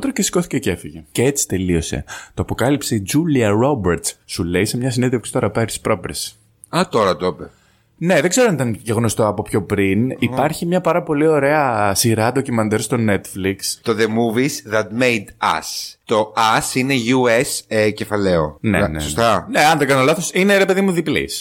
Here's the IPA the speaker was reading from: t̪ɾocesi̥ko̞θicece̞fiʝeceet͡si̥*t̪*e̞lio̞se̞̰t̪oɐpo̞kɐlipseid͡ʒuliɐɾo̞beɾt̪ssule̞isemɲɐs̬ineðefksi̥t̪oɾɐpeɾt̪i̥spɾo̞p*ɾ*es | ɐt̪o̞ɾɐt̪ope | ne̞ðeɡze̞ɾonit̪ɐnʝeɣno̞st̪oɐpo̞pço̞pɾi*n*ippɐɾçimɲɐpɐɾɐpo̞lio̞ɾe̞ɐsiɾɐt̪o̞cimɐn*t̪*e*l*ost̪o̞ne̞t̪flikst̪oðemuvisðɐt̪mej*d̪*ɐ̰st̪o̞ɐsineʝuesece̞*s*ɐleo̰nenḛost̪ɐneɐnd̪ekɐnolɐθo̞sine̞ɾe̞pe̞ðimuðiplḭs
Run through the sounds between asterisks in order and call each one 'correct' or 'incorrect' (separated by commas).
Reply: correct, correct, correct, incorrect, incorrect, correct, incorrect